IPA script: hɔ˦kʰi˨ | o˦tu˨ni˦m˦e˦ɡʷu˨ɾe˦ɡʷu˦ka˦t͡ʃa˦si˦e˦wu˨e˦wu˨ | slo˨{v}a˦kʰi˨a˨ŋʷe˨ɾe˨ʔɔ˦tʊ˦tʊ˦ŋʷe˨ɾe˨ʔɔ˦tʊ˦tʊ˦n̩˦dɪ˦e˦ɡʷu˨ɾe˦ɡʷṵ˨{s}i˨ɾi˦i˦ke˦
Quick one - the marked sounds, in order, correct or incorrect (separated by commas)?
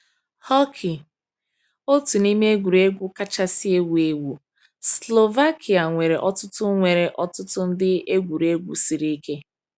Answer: correct, correct